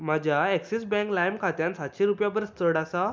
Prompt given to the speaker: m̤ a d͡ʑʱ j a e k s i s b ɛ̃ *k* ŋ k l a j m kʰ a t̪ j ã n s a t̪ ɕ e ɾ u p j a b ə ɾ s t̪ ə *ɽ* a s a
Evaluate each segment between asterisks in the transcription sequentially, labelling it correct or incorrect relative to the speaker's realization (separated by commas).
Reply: incorrect, correct